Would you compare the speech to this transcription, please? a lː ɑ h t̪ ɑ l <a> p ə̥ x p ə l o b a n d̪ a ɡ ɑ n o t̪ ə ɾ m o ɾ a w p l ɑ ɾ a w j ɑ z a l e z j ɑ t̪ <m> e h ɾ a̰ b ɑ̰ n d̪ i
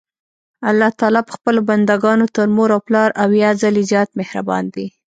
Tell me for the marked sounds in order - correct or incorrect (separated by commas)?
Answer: incorrect, correct